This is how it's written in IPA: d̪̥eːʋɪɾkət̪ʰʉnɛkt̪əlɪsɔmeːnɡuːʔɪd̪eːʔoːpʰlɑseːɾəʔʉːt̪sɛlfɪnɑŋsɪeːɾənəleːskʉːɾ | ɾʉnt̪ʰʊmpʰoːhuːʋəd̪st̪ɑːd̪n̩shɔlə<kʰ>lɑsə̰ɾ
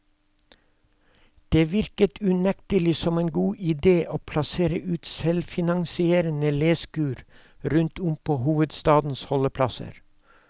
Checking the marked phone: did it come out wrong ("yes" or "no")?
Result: yes